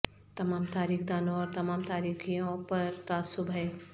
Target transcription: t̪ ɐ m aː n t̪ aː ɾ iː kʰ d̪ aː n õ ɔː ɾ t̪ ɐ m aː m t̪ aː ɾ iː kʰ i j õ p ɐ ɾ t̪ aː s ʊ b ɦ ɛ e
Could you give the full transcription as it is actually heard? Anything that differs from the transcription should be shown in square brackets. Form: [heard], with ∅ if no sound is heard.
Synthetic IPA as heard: t̪ ɐ m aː [m] t̪ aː ɾ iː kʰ d̪ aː n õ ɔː ɾ t̪ ɐ m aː m t̪ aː ɾ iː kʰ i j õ p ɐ ɾ t̪ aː s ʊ b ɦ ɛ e